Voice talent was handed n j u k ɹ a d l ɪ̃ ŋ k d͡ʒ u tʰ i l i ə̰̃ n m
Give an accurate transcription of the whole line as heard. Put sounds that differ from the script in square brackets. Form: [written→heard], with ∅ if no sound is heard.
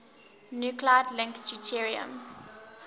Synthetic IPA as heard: n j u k [ɹ→l] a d l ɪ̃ ŋ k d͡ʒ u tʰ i [l→ɹ] i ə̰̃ [n→∅] m